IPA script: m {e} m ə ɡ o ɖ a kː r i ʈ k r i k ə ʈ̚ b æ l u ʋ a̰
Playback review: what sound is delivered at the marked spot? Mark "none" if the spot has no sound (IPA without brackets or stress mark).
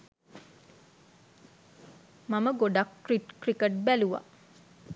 a